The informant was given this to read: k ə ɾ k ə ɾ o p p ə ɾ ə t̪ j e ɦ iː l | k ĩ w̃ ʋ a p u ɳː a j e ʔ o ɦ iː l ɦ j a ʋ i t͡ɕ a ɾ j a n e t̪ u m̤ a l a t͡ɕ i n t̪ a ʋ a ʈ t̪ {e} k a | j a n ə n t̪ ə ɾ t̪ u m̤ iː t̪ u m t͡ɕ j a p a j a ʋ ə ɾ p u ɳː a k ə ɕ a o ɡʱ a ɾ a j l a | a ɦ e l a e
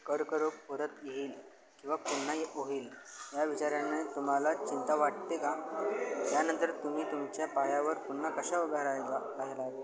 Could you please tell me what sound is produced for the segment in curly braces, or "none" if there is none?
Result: e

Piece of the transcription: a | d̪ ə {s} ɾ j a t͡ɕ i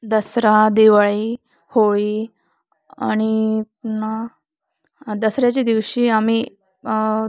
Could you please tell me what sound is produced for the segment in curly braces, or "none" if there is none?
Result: s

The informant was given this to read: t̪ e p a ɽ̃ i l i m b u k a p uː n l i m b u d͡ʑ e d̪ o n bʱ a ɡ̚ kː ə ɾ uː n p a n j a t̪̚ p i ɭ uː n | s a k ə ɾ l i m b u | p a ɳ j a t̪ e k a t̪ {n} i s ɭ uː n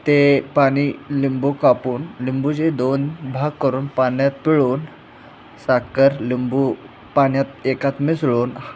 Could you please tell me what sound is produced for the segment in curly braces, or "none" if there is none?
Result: m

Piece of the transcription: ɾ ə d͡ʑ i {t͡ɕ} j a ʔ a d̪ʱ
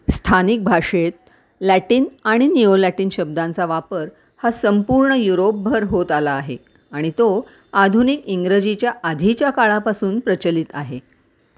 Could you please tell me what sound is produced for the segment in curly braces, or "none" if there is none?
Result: t͡ɕ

